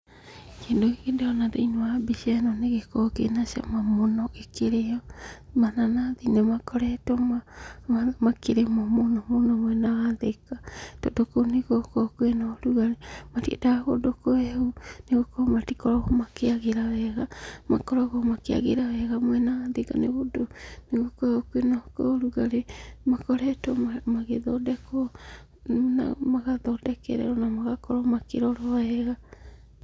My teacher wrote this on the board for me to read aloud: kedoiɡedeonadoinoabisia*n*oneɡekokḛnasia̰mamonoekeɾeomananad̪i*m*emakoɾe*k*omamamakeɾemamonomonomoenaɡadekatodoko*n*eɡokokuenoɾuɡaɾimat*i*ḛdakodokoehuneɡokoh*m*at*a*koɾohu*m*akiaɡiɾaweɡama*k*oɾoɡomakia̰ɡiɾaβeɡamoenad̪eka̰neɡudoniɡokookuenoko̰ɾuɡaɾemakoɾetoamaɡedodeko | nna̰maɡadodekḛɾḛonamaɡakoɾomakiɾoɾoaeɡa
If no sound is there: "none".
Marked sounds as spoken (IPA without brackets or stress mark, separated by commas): n, n, t, n, i, m, i, m, k